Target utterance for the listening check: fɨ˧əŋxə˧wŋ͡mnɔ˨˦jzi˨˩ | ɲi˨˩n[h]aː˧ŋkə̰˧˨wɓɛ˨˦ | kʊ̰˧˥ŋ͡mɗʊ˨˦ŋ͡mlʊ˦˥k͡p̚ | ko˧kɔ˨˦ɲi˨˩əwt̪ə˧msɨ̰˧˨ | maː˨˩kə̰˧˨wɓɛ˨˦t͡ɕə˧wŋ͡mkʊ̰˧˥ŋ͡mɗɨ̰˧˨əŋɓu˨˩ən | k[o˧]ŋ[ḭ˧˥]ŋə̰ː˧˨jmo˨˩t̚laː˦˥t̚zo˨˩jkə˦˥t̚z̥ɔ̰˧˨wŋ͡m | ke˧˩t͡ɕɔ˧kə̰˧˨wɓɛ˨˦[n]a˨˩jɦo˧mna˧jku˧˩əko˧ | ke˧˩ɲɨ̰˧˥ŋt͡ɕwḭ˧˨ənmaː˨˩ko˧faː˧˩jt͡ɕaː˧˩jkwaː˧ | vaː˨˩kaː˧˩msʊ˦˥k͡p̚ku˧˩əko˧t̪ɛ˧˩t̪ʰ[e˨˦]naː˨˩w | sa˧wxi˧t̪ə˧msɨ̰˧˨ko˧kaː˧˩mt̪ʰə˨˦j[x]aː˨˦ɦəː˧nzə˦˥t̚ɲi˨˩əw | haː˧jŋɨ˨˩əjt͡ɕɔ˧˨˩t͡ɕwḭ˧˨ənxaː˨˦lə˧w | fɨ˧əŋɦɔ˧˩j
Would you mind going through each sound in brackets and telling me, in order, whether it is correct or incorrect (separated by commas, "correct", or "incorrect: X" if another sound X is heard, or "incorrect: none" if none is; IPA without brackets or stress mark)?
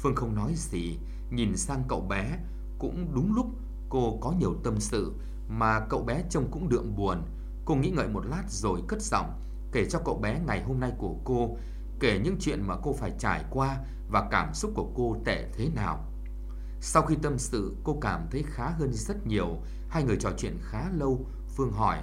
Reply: incorrect: s, correct, correct, incorrect: ŋ, correct, correct